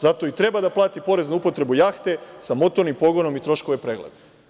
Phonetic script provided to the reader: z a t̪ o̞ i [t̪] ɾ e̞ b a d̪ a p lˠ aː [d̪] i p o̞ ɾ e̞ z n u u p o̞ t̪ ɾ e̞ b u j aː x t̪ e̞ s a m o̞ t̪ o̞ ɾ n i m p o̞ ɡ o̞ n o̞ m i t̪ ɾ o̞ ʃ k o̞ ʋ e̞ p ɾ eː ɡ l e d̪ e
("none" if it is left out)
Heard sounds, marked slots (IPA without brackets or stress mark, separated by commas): t̪, t̪